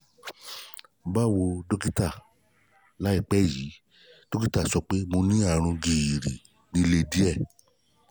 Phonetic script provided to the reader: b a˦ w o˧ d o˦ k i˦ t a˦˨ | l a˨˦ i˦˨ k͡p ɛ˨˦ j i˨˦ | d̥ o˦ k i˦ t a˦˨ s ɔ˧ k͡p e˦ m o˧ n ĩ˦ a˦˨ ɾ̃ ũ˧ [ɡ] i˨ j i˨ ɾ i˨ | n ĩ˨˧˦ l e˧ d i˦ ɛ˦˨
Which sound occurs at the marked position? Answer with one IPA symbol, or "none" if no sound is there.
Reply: ɡ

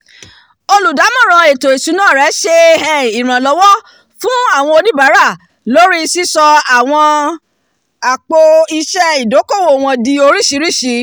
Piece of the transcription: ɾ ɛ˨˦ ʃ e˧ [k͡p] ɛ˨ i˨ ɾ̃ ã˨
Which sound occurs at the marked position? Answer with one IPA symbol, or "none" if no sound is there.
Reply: none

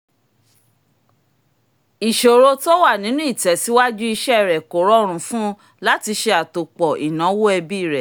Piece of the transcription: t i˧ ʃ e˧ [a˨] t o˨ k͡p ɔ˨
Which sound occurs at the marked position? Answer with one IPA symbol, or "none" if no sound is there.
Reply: a˨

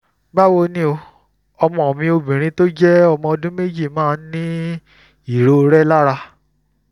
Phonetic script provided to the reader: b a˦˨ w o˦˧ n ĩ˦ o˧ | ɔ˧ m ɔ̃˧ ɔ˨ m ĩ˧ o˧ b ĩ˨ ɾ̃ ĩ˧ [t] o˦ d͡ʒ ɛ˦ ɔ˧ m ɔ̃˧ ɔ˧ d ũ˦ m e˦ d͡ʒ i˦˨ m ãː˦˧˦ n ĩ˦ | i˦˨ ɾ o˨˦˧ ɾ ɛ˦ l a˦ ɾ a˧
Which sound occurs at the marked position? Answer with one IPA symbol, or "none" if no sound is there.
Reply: t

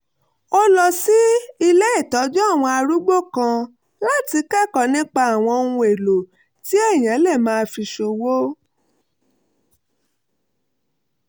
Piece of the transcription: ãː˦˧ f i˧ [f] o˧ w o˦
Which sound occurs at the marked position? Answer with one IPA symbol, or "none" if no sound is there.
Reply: ʃ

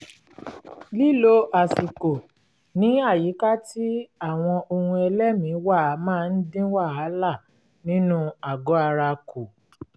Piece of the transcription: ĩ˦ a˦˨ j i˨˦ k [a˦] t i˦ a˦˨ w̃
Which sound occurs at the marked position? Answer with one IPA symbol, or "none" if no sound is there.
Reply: a˦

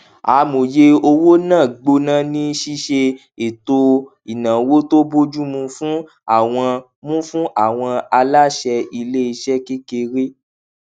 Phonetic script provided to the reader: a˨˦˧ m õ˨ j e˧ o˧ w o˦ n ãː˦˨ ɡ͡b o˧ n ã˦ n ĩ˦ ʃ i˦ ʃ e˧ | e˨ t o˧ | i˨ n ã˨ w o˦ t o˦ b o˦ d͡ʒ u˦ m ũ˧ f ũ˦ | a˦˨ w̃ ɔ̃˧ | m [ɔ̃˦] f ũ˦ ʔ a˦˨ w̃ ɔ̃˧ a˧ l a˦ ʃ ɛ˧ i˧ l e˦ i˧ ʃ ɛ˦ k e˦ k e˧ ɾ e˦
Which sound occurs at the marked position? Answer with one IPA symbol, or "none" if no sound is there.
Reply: ũ˦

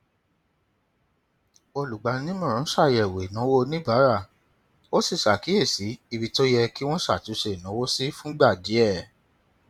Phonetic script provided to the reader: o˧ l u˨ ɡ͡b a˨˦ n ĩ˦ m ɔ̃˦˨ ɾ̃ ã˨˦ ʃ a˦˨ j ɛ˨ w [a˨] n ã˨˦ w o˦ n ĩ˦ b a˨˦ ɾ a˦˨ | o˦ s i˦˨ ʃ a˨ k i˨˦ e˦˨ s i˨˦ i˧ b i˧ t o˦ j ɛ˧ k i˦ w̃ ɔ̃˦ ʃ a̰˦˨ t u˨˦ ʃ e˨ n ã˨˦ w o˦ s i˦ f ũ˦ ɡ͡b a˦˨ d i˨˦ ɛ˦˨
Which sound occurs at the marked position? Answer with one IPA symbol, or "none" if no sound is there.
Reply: e˨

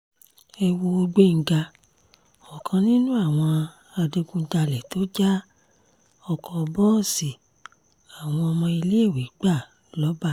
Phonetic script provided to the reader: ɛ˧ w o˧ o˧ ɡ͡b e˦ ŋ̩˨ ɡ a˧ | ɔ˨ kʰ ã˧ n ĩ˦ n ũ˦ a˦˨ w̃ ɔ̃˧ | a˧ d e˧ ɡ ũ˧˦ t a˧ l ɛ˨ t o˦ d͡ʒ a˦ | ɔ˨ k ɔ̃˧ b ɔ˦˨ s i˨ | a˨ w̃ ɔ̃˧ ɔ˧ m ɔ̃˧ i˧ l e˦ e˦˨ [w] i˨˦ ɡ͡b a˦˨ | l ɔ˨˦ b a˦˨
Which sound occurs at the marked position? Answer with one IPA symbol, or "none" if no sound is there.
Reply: w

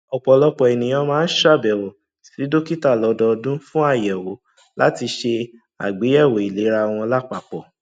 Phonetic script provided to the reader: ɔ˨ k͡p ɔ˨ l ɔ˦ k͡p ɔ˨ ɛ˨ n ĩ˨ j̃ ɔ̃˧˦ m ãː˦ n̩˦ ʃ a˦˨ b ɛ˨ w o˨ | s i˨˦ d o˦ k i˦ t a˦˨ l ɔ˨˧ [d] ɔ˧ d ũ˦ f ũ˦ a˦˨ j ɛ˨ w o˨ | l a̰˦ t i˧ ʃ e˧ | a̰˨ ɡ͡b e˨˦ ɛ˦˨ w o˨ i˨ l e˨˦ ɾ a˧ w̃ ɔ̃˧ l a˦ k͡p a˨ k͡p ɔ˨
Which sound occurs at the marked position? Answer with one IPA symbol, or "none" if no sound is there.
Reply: d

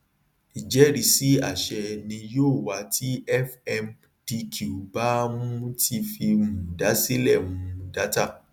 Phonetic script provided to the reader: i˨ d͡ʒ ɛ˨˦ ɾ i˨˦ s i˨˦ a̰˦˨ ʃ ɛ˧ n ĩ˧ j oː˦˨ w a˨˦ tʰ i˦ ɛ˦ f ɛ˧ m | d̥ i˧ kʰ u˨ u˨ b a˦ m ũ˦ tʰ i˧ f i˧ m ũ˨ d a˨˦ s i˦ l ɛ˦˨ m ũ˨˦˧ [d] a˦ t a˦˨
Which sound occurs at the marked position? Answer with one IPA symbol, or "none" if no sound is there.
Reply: d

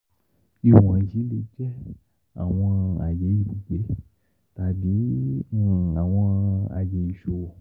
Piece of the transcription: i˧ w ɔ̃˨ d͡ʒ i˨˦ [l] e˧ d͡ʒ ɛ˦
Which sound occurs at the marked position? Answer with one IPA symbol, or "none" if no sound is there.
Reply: l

